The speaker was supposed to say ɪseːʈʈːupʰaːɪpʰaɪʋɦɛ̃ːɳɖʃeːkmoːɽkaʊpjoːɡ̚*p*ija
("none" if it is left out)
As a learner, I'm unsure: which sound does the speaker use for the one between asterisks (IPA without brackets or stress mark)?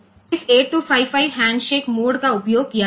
k